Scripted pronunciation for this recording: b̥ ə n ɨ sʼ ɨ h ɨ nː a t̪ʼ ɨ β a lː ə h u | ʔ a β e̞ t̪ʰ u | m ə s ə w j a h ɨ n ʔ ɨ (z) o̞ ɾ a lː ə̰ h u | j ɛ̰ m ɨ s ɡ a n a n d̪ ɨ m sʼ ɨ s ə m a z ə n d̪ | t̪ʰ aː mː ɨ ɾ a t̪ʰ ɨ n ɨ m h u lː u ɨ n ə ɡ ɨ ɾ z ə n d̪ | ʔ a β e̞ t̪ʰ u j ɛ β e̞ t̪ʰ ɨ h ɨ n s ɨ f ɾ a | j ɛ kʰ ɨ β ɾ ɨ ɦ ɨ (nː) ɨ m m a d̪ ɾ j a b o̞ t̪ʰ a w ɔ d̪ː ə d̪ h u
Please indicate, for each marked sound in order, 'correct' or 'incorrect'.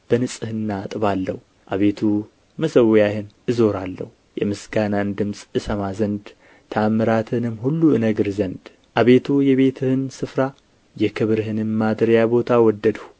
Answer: correct, incorrect

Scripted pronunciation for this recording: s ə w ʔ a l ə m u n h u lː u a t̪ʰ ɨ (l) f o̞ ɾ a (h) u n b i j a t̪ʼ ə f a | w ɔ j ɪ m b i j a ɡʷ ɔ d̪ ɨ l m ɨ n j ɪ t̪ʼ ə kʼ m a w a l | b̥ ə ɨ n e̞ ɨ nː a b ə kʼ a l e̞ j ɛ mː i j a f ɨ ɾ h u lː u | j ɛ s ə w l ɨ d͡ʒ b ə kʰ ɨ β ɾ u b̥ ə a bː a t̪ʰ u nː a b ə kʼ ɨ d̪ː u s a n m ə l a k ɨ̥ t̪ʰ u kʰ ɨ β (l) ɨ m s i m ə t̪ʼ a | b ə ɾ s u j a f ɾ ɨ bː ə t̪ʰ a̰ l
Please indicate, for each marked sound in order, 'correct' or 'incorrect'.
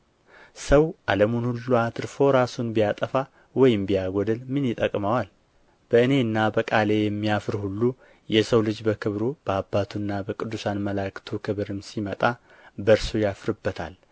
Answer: incorrect, incorrect, incorrect

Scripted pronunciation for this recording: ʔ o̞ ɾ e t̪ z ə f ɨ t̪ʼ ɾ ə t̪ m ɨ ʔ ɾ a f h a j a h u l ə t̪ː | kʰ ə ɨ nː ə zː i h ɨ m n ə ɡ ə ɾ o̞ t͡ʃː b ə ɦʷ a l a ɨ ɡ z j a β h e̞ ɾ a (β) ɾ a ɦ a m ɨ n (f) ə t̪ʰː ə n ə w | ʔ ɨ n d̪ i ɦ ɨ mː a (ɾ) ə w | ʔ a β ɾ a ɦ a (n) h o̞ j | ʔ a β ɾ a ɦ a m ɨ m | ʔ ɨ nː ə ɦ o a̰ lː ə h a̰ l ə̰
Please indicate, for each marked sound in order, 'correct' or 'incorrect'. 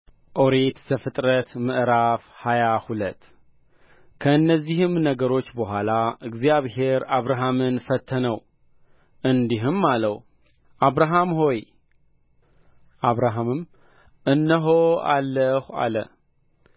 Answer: correct, correct, incorrect, incorrect

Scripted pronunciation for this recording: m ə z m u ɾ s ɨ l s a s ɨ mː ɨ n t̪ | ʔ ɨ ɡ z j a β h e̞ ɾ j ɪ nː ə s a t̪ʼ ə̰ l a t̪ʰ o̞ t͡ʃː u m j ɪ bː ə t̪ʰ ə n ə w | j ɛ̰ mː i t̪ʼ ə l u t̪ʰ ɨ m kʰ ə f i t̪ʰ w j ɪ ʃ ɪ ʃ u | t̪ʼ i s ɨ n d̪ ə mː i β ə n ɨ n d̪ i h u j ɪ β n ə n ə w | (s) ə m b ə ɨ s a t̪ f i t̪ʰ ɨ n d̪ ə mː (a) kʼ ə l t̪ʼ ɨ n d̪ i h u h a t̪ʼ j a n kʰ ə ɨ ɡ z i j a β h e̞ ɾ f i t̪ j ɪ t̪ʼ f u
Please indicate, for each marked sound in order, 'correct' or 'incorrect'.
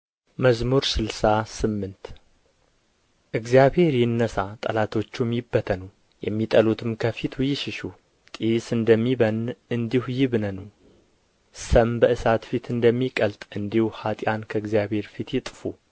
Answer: correct, incorrect

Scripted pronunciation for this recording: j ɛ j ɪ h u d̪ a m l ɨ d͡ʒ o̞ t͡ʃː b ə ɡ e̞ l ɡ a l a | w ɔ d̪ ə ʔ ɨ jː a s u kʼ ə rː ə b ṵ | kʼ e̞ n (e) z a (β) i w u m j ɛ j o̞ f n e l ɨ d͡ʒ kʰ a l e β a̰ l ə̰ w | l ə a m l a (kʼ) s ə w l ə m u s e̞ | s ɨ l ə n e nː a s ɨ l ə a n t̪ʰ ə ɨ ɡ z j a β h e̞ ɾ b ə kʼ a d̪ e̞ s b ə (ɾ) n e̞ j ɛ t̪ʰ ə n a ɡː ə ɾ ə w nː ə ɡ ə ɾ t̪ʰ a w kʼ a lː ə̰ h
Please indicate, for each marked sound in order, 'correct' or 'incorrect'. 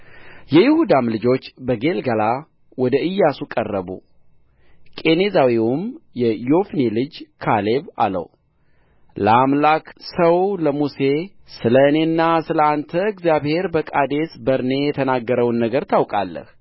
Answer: correct, incorrect, incorrect, correct

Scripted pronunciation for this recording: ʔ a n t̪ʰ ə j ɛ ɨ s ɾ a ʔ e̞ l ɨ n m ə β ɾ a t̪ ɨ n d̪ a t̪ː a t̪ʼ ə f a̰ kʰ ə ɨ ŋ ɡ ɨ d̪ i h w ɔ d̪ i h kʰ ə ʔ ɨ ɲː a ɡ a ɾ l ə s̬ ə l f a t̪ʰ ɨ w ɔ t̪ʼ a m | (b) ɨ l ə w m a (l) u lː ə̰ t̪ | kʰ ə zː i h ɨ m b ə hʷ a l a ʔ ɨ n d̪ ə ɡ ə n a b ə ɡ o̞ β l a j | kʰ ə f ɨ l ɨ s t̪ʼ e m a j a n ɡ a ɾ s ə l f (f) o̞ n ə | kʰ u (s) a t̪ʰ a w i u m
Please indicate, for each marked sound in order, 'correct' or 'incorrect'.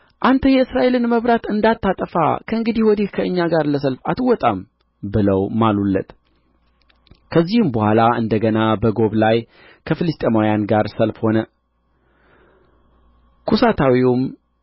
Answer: correct, correct, incorrect, correct

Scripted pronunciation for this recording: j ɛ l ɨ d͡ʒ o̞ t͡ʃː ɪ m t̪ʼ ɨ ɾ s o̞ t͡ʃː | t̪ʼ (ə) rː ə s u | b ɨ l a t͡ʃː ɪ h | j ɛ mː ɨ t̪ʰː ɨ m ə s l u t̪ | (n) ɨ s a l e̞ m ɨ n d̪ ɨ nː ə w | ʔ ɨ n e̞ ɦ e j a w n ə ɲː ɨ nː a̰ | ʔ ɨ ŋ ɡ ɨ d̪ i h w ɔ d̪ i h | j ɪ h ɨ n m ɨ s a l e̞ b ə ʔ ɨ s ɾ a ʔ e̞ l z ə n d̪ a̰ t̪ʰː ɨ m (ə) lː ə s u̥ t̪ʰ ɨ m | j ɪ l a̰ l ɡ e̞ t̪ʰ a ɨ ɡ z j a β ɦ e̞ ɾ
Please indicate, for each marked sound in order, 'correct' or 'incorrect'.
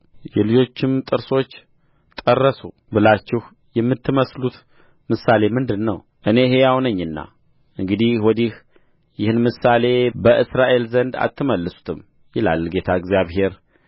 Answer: correct, incorrect, correct

